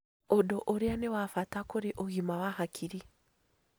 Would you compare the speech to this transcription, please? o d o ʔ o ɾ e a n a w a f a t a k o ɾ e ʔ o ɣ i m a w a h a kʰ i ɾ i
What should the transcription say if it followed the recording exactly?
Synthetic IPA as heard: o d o ʔ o ɾ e a n e w a f a t a k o ɾ e ʔ o ɣ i m a w a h a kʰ i ɾ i